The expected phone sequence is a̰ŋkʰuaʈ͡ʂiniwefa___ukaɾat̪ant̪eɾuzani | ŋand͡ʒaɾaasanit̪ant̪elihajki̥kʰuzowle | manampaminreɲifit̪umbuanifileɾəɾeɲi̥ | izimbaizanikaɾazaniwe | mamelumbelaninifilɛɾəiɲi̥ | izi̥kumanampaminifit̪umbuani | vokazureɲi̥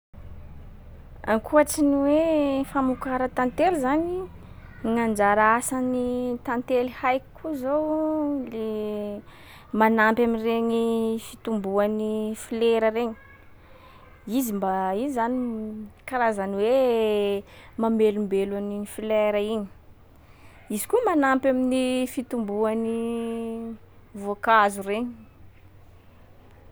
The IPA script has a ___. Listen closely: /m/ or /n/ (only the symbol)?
m